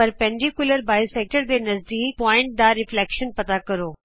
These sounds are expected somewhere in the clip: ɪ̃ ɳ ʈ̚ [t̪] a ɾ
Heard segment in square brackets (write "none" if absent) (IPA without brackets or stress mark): d̪